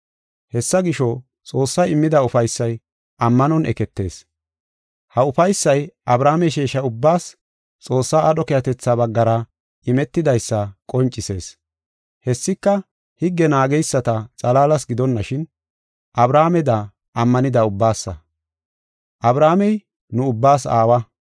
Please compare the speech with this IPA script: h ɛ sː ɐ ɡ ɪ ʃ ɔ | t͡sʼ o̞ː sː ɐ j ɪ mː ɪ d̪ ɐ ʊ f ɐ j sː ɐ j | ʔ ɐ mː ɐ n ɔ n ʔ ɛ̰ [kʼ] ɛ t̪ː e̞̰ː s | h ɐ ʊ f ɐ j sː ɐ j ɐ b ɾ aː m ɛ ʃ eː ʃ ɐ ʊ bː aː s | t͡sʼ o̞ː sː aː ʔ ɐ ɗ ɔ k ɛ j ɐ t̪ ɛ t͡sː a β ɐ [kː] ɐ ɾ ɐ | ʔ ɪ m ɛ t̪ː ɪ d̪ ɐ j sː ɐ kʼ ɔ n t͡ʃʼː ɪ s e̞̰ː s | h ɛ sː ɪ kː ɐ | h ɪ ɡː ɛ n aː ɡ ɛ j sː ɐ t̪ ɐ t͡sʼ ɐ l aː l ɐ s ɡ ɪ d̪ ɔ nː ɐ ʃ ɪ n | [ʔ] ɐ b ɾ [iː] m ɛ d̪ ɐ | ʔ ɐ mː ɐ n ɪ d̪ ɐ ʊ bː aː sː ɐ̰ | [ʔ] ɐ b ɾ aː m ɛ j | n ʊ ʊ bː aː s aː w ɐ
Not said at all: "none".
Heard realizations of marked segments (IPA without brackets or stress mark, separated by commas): k, ɡː, ʔ, aː, ʔ